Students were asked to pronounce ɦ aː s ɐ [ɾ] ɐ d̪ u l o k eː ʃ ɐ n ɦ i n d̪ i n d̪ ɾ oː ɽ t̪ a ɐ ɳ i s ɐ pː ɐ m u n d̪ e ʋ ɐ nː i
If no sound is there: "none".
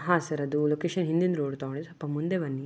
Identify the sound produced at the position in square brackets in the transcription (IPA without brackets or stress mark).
ɾ